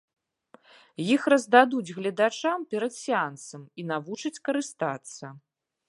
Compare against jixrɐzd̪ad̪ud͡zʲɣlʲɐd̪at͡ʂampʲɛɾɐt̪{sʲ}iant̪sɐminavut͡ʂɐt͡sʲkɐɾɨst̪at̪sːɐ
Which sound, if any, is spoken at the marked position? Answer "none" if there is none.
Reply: sʲ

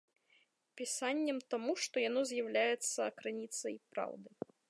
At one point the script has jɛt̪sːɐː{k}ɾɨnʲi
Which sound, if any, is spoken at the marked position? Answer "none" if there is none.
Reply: k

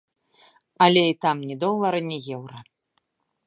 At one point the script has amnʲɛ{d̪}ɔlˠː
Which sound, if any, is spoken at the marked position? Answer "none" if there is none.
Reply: d̪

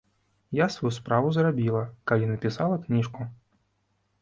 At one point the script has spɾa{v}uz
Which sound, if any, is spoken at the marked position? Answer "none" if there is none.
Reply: v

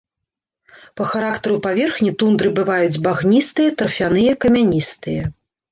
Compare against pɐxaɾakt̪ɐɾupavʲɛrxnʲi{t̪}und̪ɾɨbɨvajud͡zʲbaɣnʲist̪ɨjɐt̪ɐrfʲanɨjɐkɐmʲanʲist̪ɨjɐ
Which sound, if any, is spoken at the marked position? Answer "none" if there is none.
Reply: t̪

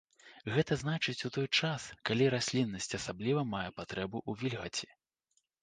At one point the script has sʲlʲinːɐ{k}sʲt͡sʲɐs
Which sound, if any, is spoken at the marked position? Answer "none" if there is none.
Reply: none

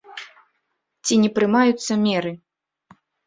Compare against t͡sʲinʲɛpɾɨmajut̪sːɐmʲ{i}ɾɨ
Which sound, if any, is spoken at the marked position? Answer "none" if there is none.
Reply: ɛ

